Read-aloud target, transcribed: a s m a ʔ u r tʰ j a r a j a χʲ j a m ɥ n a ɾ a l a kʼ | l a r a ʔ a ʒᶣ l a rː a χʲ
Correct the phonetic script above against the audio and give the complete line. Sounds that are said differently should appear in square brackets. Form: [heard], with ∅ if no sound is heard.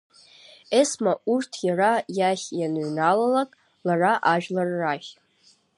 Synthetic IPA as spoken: [e] s m a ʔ u r tʰ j a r a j a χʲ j a [n] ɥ n a [l] a l a kʼ | l a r a ʔ a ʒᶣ l a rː a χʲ